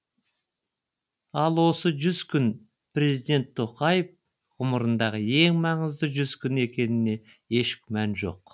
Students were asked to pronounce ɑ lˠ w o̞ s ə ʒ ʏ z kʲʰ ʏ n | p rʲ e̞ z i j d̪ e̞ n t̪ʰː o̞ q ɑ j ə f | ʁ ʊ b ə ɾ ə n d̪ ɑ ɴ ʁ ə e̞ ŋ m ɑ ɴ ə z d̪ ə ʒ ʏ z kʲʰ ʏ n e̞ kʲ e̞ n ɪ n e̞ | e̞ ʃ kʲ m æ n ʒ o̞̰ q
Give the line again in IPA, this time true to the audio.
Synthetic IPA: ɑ lˠ w o̞ s ə ʒ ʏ z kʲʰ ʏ n | p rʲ e̞ z i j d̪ e̞ n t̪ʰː o̞ q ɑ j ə f | ʁ ʊ m ə ɾ ə n d̪ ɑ ʁ ə e̞ ŋ m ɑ ɴ ə z d̪ ə ʒ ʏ z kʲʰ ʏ n e̞ kʲ e̞ n ɪ n e̞ | e̞ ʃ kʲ m æ n ʒ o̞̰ q